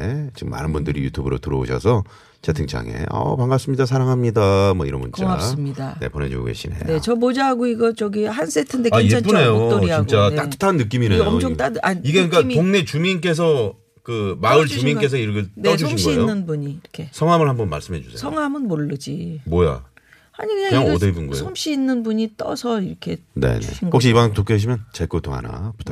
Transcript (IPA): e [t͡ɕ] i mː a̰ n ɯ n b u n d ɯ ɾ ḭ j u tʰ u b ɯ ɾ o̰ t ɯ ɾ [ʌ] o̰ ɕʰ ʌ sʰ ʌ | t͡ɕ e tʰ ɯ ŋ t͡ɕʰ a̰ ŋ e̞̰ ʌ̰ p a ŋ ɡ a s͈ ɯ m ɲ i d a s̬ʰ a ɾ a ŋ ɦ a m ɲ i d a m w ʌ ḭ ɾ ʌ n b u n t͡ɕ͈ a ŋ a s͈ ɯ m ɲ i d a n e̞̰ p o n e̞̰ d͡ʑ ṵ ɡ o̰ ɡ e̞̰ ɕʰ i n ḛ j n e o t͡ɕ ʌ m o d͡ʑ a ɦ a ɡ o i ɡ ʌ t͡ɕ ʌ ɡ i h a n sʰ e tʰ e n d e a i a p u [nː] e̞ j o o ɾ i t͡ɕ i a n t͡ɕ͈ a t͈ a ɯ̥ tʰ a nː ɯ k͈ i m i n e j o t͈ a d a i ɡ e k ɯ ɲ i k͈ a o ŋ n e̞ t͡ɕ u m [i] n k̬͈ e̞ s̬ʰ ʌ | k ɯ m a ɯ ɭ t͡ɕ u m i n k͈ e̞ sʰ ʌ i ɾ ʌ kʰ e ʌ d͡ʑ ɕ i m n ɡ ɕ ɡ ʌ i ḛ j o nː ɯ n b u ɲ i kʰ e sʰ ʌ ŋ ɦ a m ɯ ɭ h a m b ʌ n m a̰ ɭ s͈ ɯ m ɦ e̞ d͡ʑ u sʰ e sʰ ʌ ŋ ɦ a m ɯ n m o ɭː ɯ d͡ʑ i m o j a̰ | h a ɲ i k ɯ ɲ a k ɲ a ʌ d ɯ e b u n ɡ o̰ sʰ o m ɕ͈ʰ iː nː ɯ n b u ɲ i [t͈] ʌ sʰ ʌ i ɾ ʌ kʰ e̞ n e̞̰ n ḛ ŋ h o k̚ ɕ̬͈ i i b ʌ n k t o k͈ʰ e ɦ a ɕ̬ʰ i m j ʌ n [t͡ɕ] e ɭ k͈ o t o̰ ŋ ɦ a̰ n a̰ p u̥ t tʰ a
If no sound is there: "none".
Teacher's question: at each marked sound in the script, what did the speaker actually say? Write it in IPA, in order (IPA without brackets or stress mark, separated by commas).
t͡ɕ, ʌ, n, i, t͈, t͡ɕ